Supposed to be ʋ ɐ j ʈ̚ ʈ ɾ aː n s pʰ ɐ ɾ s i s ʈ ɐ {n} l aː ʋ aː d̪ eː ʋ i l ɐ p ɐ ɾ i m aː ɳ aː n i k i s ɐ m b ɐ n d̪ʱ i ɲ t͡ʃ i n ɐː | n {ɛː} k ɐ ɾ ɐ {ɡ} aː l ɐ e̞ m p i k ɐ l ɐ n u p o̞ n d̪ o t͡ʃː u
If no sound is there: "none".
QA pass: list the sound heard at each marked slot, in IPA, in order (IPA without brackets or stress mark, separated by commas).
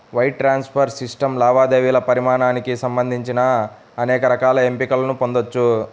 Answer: m, ɛː, k